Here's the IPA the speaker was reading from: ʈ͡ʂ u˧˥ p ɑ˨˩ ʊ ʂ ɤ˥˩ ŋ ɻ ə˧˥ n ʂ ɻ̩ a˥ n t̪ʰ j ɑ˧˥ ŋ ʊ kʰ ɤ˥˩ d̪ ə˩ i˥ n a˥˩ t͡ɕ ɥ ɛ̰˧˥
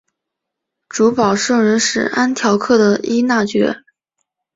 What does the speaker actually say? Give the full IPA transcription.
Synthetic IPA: ʈ͡ʂ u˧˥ p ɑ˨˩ ʊ ʂ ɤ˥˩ ŋ ɻ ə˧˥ n ʂ ɻ̩ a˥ n t̪ʰ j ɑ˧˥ ʊ kʰ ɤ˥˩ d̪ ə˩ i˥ n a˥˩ t͡ɕ ɥ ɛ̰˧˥